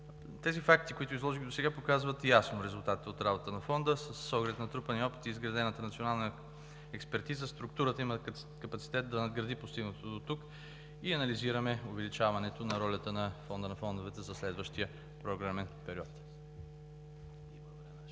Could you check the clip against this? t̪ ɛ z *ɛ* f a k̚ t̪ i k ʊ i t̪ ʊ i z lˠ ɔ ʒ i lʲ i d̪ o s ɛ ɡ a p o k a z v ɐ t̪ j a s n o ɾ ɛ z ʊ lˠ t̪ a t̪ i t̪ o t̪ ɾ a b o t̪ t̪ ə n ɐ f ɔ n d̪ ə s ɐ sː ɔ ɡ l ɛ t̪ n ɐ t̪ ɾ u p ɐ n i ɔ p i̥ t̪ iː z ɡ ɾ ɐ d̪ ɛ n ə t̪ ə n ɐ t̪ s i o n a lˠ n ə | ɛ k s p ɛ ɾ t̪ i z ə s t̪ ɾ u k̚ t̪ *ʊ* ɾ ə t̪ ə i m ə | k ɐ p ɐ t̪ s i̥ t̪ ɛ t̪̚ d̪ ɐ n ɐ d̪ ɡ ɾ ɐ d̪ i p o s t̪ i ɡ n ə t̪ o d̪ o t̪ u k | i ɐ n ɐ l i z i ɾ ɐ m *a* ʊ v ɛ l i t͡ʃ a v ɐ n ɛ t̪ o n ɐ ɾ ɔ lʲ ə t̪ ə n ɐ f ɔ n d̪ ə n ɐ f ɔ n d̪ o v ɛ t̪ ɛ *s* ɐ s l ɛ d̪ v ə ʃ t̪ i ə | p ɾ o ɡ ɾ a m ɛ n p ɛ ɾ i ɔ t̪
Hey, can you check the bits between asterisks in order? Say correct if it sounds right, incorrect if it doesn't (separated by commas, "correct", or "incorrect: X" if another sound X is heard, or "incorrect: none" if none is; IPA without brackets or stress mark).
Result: incorrect: i, incorrect: u, incorrect: ɛ, incorrect: z